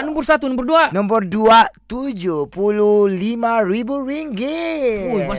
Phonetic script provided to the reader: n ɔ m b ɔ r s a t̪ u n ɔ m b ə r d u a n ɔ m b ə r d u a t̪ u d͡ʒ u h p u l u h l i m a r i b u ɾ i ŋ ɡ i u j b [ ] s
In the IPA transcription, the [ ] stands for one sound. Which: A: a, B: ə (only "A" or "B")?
A